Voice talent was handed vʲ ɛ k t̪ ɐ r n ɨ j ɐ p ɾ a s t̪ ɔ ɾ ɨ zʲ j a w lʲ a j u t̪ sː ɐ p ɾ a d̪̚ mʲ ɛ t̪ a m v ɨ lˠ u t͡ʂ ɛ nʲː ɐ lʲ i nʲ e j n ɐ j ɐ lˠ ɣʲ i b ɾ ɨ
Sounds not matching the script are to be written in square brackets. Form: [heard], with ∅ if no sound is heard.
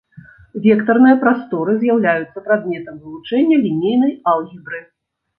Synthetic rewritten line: vʲ ɛ k t̪ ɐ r n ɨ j ɐ p ɾ a s t̪ ɔ ɾ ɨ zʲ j a w lʲ a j u t̪ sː ɐ p ɾ a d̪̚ mʲ ɛ t̪ [ɐ] m v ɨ lˠ u t͡ʂ ɛ nʲː ɐ lʲ i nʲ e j n ɐ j [a] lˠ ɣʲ i b ɾ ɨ